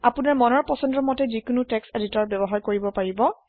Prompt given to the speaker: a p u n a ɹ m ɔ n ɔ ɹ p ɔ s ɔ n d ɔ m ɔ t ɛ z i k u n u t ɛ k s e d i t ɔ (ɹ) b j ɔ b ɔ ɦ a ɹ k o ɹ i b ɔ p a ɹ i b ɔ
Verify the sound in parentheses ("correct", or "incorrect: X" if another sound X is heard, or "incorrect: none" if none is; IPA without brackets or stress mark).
correct